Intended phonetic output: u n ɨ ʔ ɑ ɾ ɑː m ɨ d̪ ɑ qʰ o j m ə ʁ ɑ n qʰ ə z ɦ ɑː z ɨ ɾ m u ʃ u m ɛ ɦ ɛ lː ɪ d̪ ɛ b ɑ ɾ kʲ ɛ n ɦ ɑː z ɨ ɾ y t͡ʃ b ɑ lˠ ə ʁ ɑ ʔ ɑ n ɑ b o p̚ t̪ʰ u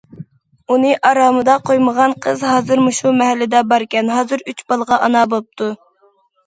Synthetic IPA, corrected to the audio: u n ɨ ʔ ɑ ɾ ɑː m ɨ d̪ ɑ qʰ o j m ə ʁ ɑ n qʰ ə z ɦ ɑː z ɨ ɾ m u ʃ u m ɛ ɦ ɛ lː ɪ d̪ ɛ b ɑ ɾ kʲ ɛ n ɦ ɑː z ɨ ɾ y t͡ʃ b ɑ lˠ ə ʁ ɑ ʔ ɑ n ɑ b o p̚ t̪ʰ u